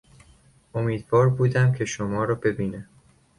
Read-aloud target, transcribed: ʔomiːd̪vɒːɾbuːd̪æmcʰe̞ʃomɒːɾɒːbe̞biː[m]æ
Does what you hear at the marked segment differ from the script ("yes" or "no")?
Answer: yes